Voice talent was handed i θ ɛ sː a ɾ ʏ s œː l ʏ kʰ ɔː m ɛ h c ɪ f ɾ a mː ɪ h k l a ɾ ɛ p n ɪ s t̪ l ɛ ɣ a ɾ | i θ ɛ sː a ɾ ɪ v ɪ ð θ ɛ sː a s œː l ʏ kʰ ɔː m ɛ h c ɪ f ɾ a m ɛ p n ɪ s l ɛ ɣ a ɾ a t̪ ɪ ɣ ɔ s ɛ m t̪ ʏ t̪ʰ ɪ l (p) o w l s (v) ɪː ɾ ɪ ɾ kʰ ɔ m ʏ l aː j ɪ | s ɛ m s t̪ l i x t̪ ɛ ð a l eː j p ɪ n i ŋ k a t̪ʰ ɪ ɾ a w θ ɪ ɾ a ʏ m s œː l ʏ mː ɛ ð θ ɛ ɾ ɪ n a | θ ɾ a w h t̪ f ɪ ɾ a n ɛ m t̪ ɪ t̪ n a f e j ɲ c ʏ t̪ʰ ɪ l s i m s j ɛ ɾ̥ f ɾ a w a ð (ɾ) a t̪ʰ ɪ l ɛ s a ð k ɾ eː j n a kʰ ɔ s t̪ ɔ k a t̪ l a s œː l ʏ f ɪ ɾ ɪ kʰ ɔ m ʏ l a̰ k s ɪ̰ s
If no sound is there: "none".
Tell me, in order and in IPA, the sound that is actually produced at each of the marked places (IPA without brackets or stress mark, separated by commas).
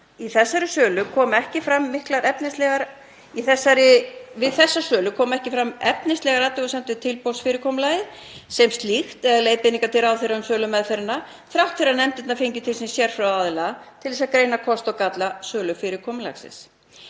p, f, l